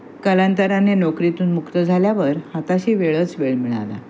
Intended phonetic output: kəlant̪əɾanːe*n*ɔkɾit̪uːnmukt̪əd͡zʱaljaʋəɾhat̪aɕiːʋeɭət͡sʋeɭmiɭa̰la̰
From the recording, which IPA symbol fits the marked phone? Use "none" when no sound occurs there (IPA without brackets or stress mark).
n